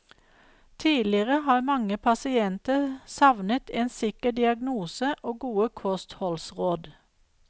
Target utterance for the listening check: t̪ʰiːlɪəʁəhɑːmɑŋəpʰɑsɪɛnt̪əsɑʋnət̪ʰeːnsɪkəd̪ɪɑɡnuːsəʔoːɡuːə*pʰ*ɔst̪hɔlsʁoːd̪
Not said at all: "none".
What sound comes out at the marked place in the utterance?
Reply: kʰ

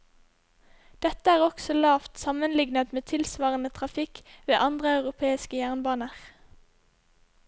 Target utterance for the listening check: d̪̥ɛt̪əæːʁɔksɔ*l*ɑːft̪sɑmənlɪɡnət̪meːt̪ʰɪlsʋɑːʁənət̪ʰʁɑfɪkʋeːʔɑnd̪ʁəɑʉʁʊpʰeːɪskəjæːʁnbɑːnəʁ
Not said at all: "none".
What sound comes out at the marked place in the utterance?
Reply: l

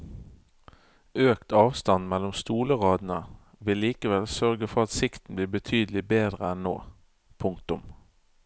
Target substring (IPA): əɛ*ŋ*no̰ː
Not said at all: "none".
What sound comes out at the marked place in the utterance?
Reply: n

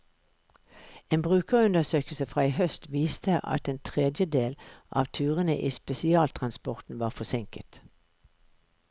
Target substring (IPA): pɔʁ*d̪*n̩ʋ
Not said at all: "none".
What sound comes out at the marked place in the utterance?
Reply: t̪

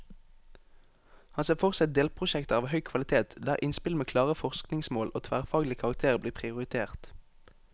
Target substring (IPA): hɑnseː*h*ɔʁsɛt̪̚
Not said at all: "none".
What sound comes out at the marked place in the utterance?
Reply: f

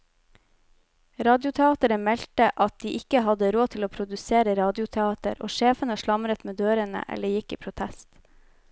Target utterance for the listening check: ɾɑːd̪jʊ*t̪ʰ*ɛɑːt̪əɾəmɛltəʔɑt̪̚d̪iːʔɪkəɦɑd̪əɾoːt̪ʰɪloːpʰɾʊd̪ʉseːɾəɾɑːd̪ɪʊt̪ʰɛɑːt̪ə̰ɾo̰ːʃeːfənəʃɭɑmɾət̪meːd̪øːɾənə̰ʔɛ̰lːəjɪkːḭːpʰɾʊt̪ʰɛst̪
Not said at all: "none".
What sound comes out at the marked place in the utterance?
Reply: t̪ʰ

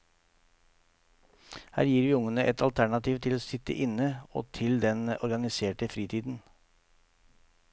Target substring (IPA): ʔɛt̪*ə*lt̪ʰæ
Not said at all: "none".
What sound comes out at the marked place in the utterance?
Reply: ɑ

